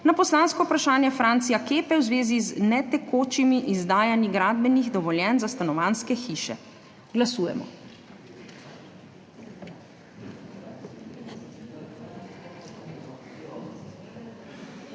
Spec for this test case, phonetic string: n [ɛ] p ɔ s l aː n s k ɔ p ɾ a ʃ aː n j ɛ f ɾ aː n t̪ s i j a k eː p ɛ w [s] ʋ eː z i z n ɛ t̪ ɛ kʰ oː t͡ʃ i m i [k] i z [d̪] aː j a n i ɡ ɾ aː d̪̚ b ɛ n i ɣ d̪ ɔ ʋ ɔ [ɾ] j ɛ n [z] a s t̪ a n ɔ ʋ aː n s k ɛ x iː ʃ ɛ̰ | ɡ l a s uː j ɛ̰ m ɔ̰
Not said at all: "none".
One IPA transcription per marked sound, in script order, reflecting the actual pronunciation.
a, z, ʔ, d̪, l, z

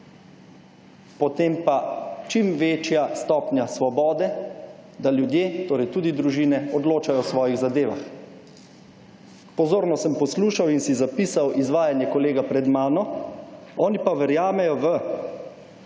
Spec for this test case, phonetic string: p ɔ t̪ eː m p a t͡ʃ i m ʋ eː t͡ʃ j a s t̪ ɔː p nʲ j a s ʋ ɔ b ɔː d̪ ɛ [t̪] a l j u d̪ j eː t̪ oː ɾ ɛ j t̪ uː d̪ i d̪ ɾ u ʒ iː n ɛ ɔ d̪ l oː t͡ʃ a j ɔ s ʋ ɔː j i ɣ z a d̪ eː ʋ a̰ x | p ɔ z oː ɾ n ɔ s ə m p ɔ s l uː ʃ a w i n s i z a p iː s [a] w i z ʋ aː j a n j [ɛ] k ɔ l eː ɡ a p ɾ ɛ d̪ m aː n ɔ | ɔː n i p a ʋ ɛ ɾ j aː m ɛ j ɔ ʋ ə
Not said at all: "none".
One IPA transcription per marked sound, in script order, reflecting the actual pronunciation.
d̪, a, ɛ

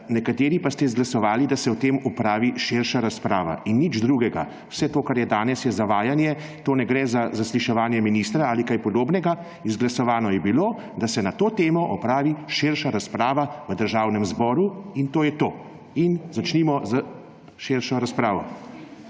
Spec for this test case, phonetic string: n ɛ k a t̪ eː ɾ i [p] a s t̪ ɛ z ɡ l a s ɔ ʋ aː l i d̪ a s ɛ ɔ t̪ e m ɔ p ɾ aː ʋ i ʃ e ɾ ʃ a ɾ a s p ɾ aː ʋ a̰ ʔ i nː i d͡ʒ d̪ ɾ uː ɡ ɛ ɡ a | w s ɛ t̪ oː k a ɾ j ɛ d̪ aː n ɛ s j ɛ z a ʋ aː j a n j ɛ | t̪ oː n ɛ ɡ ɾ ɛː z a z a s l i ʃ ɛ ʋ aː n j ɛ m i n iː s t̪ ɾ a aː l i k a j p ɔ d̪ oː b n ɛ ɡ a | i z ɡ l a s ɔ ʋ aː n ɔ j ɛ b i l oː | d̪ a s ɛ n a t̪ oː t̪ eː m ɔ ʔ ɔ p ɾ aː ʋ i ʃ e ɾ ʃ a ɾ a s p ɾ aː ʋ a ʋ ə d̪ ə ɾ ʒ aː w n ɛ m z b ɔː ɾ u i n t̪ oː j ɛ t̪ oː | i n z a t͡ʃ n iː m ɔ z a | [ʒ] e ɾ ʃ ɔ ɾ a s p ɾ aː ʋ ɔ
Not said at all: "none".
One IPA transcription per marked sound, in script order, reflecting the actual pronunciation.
p, ʃ

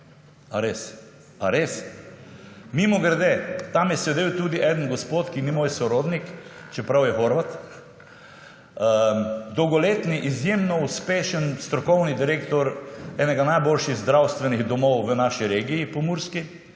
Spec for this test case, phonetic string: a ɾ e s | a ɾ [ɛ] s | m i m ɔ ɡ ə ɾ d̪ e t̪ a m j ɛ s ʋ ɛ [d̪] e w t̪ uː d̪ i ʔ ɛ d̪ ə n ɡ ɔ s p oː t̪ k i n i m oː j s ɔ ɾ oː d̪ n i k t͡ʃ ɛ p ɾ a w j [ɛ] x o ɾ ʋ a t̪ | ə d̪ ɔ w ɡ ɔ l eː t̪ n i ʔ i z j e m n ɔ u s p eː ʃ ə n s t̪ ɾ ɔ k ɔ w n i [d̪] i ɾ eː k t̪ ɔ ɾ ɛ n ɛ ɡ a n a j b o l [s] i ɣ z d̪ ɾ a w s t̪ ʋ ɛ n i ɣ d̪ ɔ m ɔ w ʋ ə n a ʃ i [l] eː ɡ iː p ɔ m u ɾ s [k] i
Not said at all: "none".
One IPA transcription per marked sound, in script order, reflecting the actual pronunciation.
e, d̪, ɛ, d̪, ʃ, ɾ, k

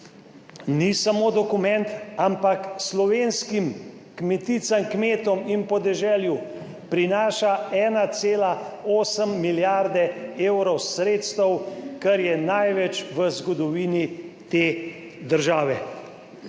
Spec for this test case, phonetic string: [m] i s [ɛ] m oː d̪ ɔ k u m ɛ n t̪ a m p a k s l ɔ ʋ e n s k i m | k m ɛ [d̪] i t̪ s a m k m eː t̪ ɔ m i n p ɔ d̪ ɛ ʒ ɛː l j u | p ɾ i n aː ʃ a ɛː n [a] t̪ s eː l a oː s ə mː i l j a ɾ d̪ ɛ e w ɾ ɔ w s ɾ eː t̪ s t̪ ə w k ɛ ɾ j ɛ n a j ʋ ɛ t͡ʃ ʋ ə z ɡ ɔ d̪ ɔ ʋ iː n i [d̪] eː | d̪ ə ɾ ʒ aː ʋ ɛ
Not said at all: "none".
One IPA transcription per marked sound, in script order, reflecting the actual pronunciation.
n, a, t̪, a, t̪

